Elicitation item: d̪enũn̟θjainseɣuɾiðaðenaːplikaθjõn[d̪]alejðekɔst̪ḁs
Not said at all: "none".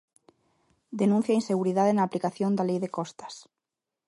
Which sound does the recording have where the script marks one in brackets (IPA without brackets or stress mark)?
d̪